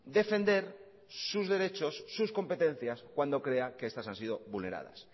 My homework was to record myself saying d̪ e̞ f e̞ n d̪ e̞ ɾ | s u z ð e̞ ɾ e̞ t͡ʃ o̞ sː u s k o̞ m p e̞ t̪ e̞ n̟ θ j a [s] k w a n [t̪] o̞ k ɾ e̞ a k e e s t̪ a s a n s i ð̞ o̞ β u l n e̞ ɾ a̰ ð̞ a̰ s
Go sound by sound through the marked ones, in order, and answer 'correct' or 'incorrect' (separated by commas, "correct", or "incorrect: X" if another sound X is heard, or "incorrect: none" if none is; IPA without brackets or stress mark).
correct, incorrect: d̪